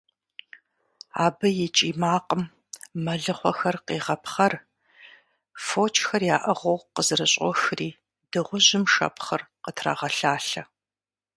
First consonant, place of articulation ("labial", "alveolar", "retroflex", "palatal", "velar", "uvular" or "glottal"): labial